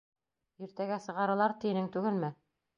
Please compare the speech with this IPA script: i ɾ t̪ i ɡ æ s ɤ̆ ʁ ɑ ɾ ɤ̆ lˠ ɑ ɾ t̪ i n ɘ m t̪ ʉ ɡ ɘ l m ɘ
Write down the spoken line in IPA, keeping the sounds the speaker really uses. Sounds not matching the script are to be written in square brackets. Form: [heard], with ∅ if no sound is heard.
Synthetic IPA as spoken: i ɾ t̪ [æ] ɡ æ s ɤ̆ ʁ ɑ ɾ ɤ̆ lˠ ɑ ɾ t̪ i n ɘ [ŋ] t̪ ʉ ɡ ɘ l m ɘ